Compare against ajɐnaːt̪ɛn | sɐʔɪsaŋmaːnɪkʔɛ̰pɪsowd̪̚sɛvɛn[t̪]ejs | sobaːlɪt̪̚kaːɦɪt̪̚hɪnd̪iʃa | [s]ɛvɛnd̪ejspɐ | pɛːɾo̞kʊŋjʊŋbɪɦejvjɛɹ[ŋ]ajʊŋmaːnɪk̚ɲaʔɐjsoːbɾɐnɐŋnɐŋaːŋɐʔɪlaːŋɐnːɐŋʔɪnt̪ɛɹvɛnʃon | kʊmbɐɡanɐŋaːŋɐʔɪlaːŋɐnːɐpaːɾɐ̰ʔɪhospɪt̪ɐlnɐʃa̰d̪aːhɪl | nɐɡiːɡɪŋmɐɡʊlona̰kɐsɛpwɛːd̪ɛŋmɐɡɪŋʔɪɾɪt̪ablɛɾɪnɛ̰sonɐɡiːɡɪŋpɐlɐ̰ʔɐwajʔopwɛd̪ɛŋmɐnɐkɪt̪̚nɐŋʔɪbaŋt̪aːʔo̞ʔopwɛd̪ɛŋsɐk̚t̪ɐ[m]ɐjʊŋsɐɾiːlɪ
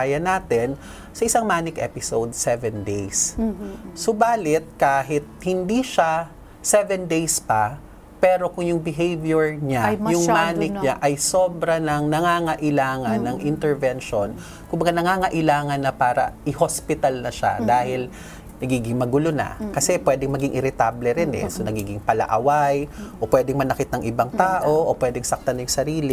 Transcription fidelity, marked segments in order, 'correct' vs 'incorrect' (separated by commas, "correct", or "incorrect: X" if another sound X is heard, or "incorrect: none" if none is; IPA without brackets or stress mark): incorrect: d̪, correct, incorrect: ɲ, incorrect: n